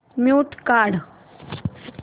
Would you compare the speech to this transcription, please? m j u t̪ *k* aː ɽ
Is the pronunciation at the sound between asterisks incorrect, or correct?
correct